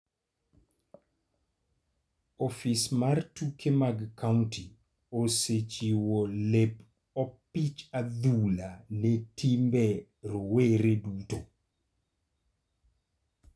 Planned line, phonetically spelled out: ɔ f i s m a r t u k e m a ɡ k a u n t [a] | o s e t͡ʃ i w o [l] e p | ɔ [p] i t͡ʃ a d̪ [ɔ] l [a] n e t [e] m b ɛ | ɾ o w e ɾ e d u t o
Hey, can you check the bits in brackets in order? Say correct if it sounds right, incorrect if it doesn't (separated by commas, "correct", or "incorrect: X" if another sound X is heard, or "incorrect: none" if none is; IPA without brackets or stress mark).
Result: incorrect: i, correct, correct, incorrect: u, correct, incorrect: i